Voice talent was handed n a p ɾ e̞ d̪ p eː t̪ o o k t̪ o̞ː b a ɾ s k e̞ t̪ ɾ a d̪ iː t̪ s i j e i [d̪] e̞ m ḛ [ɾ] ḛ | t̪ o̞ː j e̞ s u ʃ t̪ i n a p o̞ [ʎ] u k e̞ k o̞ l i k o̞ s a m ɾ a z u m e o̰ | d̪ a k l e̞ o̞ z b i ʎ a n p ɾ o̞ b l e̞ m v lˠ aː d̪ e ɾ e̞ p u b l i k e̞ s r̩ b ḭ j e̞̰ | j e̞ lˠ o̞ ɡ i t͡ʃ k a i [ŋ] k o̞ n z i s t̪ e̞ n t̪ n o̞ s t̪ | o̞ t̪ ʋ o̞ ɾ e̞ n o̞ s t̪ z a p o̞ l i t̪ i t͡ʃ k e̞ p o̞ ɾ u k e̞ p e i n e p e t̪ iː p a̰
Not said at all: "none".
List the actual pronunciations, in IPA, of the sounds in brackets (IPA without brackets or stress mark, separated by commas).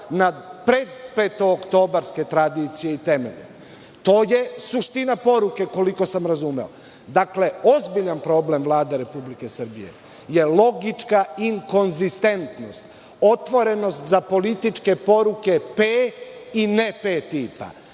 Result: t̪, ʎ, ɾ, ŋ